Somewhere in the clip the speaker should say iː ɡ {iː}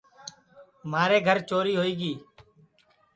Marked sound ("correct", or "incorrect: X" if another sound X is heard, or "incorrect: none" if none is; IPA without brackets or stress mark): correct